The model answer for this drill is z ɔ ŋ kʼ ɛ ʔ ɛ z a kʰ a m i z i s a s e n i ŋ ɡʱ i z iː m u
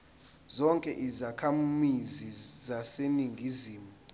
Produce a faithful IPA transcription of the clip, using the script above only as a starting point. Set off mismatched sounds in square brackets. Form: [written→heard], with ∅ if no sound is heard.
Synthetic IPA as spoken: z ɔ ŋ kʼ ɛ ʔ [ɛ→i] z a kʰ a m i z i [s→z] a s e n i ŋ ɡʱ i z iː m u